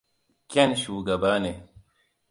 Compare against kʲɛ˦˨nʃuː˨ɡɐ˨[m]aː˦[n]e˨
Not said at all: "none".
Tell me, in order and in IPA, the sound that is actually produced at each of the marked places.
b, n

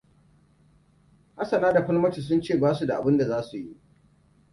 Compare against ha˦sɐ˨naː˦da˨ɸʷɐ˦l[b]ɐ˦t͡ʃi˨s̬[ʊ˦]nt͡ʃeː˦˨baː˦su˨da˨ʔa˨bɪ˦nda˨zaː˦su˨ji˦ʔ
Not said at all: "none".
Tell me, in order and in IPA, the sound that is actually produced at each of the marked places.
m, ʊ˦

